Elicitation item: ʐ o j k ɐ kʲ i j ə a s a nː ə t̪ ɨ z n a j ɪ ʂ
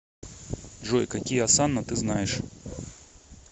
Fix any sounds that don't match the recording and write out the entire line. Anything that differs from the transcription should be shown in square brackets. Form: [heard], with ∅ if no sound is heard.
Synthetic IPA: ʐ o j k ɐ kʲ i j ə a s a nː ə t̪ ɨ z n a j ɪ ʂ

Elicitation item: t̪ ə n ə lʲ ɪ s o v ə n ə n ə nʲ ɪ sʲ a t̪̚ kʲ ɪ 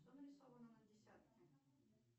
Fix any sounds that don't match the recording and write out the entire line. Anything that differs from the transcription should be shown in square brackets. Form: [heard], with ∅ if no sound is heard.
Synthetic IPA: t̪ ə n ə [ɾʲ] ɪ s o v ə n ə n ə [dʲ] ɪ sʲ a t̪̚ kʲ ɪ

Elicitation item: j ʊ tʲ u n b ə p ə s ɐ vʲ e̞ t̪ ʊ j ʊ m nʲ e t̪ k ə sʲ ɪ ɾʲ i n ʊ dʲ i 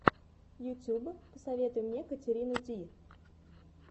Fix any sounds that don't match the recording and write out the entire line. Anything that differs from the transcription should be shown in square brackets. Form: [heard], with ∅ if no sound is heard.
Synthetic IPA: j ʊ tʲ u [∅] b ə p ə s ɐ vʲ e̞ t̪ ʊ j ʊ m nʲ e [∅] k ə [tʲ] ɪ ɾʲ i n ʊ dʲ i

